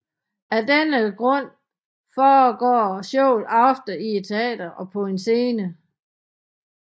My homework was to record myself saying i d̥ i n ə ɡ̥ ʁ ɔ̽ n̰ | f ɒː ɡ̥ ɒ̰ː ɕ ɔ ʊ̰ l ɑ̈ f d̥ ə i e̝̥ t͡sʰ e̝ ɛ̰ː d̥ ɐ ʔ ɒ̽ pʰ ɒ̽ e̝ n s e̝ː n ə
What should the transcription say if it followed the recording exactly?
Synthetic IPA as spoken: æ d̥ e n ə ɡ̥ ʁ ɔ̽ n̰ | f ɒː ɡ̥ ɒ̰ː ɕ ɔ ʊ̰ l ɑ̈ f d̥ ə i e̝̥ t͡sʰ e̝ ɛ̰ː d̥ ɐ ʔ ɒ̽ pʰ ɒ̽ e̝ n s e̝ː n ə